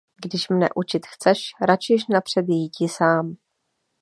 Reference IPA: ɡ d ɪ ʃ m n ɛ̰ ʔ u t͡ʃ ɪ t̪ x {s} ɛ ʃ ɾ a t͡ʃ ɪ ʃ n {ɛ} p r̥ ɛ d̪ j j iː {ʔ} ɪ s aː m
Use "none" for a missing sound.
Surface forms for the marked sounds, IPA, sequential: t͡s, a, c

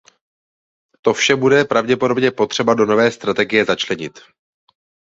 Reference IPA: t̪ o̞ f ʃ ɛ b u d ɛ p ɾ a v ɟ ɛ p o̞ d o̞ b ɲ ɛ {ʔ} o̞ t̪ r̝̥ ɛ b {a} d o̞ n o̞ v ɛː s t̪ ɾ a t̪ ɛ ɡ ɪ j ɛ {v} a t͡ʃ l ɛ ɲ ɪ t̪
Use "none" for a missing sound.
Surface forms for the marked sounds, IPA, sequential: p, a, z

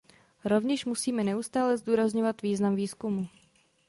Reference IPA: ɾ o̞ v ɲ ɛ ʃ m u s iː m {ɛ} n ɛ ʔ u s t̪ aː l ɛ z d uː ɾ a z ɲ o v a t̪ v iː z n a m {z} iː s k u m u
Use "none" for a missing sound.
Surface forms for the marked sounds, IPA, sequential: ɛ, v

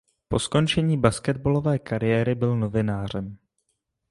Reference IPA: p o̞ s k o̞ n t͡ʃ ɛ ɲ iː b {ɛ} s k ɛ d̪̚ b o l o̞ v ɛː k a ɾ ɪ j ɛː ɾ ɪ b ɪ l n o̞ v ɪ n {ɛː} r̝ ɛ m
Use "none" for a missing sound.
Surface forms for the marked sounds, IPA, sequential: a, aː

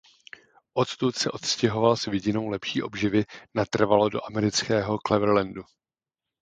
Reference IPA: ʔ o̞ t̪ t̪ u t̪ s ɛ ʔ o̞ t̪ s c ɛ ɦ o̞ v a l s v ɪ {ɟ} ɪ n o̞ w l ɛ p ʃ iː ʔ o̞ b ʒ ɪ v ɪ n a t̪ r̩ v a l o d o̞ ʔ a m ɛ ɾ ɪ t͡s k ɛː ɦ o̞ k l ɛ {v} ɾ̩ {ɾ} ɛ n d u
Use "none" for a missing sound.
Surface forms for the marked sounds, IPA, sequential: ɟ, v, l

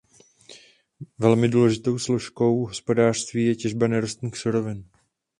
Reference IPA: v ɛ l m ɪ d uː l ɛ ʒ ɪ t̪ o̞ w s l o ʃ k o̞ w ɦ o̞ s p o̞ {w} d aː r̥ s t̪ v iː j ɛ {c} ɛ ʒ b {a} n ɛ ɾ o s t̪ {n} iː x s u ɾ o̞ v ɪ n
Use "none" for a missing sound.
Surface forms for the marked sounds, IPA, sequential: none, c, a, n

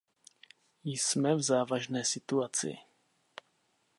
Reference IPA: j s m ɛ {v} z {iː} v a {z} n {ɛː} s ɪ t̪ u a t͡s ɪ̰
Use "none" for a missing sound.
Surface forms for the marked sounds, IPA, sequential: v, aː, ʒ, ɛː

